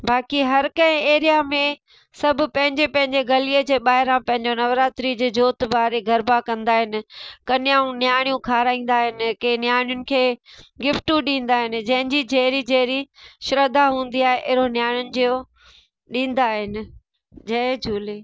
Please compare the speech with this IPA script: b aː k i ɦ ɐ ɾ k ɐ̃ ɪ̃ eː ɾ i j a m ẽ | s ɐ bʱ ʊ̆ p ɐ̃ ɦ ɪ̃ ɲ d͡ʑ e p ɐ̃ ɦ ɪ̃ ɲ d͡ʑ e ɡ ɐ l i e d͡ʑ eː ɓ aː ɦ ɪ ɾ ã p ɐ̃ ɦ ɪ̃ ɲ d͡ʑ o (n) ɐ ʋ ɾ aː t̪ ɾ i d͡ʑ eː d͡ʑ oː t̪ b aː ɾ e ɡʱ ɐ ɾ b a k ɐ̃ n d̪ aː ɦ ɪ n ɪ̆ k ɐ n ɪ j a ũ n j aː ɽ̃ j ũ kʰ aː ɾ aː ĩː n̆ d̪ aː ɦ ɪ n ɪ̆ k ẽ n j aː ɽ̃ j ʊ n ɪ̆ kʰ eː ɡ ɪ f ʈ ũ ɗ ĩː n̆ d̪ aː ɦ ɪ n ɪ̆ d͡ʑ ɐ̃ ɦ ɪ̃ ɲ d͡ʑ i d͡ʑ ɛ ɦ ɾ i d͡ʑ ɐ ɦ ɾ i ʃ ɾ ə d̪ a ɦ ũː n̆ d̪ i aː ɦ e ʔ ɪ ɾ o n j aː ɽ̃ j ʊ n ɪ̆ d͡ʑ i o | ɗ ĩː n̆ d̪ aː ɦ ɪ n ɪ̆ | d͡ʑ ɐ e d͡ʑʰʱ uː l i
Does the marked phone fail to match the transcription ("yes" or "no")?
no